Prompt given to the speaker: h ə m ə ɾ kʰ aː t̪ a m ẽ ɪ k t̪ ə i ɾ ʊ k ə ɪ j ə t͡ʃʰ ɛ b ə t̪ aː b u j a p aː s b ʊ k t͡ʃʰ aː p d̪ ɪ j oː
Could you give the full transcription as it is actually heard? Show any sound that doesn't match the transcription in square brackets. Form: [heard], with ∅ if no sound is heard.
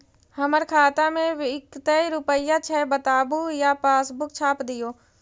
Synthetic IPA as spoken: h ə m ə ɾ kʰ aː t̪ a m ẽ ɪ k t̪ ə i ɾ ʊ [p] ə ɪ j [a] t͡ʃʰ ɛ b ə t̪ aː b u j a p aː s b ʊ k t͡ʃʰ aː p d̪ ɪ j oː

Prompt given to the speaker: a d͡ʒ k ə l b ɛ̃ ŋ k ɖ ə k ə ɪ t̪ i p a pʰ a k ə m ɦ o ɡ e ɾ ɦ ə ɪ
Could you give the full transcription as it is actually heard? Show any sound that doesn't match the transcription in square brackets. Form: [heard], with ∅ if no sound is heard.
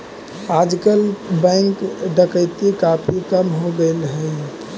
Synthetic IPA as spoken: a d͡ʒ k ə l b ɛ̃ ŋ k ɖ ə k ə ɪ t̪ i [k] a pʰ [i] k ə m ɦ o ɡ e [l] ɦ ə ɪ

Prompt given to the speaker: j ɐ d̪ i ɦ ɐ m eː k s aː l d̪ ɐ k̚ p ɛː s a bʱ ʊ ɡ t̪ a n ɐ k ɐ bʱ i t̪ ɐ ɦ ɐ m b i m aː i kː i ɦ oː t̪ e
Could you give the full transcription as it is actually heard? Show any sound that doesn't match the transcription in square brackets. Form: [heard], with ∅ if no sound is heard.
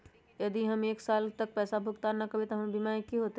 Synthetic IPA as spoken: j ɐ d̪ i ɦ ɐ m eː k s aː l [t̪] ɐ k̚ p ɛː s a bʱ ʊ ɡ t̪ a n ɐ k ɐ bʱ i t̪ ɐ ɦ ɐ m b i m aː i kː i ɦ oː t̪ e

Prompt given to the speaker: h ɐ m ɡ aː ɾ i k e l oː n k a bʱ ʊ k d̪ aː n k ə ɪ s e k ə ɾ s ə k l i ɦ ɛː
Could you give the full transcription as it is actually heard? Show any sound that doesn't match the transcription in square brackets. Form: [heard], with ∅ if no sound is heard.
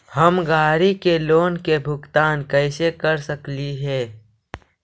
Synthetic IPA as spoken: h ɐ m ɡ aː ɾ i k e l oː n k [e] bʱ ʊ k [t̪] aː n k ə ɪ s e k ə ɾ s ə k l i ɦ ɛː

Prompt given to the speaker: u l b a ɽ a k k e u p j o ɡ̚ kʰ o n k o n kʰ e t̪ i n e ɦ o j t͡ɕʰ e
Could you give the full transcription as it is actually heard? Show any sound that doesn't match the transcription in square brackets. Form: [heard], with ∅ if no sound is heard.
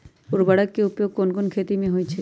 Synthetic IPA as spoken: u [ɾ] b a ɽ a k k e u p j o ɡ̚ [k] o n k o n kʰ e t̪ i [m] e ɦ o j t͡ɕʰ e

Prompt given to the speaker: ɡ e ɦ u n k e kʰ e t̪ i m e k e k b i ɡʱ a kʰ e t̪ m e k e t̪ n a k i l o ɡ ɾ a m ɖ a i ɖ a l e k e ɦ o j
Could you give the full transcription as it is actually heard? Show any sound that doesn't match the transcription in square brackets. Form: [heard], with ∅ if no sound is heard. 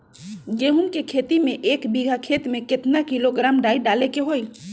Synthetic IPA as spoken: ɡ e ɦ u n k e kʰ e t̪ i m e [ʔ] e k b i ɡʱ a kʰ e t̪ m e k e t̪ n a k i l o ɡ ɾ a m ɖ a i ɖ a l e k e ɦ o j

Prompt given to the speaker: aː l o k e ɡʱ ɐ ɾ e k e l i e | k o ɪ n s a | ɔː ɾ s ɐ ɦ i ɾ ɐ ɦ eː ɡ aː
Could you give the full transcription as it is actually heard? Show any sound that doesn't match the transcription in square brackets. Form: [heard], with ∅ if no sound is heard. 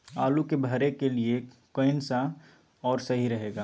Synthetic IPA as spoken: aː l [u] k e [bʱ] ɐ ɾ e k e l i e | k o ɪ n s a | ɔː ɾ s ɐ ɦ i ɾ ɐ ɦ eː ɡ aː

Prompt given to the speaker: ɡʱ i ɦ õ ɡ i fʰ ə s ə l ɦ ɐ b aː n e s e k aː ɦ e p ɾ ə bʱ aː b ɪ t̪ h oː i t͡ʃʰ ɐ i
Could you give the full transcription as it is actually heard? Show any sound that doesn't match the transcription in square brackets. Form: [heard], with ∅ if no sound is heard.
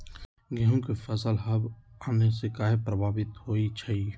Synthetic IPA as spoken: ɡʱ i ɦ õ [k] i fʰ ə s ə l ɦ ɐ b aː n e s e k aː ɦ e p ɾ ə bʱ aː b ɪ t̪ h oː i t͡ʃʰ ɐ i

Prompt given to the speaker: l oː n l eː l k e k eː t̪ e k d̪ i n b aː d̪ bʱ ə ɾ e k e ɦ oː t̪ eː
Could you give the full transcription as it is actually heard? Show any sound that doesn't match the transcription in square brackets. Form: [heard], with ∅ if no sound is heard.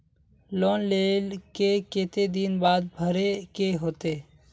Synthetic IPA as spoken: l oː n l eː l k e k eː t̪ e [∅] d̪ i n b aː d̪ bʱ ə ɾ e k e ɦ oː t̪ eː

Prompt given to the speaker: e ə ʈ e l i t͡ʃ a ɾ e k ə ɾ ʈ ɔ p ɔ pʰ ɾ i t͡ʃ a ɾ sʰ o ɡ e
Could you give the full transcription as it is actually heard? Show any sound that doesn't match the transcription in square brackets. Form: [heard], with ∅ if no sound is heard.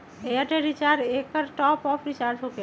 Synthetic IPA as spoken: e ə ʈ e [ɾ] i t͡ʃ a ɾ e k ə ɾ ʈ ɔ p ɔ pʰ ɾ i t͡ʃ a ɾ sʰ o [k] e

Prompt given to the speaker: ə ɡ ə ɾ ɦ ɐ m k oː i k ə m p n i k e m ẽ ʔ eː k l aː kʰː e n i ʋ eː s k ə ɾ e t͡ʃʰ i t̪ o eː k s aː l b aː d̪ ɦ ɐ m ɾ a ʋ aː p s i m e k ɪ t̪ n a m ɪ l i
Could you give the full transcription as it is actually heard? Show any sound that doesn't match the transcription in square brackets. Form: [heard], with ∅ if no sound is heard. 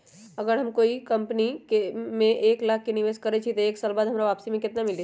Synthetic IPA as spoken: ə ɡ ə ɾ ɦ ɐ m k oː i k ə m p n i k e m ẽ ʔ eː k l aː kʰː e n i ʋ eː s k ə ɾ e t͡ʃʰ i t̪ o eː k s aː l b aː d̪ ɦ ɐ m ɾ a ʋ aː p s i m [ẽ] k ɪ t̪ n a m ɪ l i

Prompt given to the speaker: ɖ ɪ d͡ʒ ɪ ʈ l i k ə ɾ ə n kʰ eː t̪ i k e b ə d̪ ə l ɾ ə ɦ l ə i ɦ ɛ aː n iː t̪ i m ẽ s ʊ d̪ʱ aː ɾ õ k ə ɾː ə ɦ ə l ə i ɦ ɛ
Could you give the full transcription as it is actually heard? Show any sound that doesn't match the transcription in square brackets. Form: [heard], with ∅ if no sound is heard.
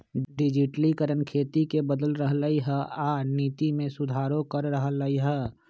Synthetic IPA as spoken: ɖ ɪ d͡ʒ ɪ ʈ l i k ə ɾ ə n kʰ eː t̪ i k e b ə d̪ ə l ɾ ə ɦ l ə i ɦ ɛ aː n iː t̪ i m ẽ s ʊ d̪ʱ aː ɾ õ k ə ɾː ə ɦ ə l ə i ɦ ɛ

